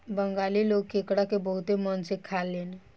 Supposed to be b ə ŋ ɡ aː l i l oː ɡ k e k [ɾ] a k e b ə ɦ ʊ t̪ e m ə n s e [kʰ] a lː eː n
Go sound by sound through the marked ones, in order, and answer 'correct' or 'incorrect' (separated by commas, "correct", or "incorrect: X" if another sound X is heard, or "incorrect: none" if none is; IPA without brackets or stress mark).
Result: incorrect: ɽ, correct